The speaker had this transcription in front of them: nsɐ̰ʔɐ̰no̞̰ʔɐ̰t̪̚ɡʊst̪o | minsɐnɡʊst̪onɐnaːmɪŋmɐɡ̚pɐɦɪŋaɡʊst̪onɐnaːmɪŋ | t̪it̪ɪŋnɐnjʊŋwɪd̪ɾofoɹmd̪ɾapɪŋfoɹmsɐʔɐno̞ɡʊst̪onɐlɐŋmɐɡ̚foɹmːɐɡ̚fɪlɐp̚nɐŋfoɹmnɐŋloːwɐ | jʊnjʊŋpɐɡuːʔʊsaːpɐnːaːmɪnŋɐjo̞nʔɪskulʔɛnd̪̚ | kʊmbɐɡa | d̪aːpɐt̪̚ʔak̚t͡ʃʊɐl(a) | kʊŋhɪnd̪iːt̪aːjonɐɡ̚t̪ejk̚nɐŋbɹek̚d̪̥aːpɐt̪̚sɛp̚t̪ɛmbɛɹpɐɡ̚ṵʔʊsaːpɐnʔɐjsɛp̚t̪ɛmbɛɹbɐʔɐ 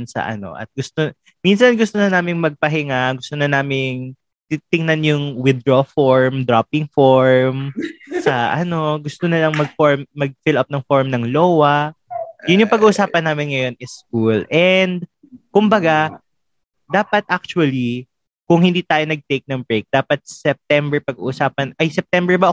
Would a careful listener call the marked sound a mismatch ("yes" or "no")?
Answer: yes